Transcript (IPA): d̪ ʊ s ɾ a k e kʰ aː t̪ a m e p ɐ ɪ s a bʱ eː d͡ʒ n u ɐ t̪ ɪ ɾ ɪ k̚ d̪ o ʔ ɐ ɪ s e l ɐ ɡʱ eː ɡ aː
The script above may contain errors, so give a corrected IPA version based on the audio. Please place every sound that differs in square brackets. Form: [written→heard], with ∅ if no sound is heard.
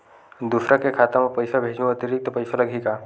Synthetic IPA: d̪ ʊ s ɾ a k e kʰ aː t̪ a m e p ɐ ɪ s a bʱ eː d͡ʒ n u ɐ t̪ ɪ ɾ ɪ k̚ [d̪→t̪] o [ʔ→p] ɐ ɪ s [e→a] l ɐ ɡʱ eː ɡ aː